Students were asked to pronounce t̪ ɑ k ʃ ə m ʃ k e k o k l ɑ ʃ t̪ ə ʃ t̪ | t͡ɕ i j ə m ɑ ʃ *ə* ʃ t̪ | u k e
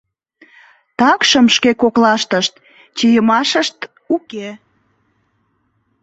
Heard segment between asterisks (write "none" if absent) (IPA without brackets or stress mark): ə